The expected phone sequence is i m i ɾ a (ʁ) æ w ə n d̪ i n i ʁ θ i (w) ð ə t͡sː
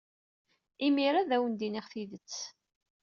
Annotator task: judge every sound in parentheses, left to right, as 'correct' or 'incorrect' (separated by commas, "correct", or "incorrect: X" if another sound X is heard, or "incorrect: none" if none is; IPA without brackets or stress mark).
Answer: incorrect: ð, incorrect: none